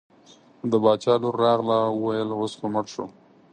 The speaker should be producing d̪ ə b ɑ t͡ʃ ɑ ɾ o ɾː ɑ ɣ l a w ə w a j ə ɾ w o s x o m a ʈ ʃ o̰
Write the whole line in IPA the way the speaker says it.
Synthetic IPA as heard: d̪ ə b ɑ t͡ʃ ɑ l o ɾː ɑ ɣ l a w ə w a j ə l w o s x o m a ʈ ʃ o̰